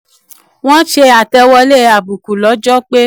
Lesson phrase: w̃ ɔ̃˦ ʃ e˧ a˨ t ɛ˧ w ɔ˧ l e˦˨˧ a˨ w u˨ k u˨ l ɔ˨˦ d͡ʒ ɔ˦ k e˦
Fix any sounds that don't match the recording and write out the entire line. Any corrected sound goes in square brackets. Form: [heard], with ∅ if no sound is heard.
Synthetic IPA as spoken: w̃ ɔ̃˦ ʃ e˧ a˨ t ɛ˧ w ɔ˧ l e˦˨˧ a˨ [b] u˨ k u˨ l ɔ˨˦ d͡ʒ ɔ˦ [k͡p] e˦